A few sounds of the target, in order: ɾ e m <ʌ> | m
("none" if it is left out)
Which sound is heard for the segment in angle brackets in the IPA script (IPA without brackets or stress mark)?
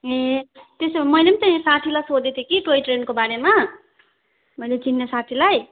a